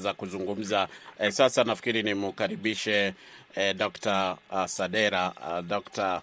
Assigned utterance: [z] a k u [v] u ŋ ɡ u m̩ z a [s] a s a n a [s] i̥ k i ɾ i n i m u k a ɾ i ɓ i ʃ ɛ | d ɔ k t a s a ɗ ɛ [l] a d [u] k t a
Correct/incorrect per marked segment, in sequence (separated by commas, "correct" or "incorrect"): correct, incorrect, correct, incorrect, incorrect, incorrect